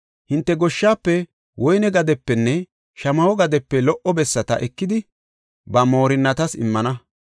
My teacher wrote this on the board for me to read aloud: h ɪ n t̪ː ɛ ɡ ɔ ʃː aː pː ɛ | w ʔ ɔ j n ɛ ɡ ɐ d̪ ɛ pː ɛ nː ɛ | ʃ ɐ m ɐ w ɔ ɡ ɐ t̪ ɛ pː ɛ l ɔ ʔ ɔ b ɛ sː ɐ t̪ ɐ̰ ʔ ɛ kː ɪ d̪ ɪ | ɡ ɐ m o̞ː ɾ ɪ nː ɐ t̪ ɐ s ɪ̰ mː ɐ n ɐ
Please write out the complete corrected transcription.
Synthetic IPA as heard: h ɪ n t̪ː ɛ ɡ ɔ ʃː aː pː ɛ | w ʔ ɔ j n ɛ ɡ ɐ d̪ ɛ pː ɛ nː ɛ | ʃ ɐ m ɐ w ɔ ɡ ɐ d̪ ɛ pː ɛ l ɔ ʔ ɔ b ɛ sː ɐ t̪ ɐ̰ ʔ ɛ kː ɪ d̪ ɪ | b ɐ m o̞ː ɾ ɪ nː ɐ t̪ ɐ s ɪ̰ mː ɐ n ɐ